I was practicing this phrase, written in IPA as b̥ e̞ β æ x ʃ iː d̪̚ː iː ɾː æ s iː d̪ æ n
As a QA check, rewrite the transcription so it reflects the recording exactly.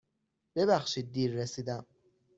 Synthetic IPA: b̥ e̞ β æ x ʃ iː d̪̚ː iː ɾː e s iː d̪ æ m